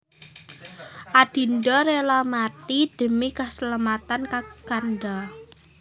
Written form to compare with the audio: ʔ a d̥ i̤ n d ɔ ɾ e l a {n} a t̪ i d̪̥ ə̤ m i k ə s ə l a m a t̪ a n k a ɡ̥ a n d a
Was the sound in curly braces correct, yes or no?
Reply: no